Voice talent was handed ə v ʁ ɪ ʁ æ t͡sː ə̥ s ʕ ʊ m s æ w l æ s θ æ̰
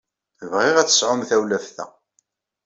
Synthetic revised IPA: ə v ʁ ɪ ʁ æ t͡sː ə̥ s ʕ ʊ m θ æ w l æ f θ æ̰